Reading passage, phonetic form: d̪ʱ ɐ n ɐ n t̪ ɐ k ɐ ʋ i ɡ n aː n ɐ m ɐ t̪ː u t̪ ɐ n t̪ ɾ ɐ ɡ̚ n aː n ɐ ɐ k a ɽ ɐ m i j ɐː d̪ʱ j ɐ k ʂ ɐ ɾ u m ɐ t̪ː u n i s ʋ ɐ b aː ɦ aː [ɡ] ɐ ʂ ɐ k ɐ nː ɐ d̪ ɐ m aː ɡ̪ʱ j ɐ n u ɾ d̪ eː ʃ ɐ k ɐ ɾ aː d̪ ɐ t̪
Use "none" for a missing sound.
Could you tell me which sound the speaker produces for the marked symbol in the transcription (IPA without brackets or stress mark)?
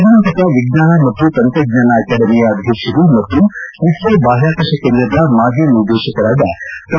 k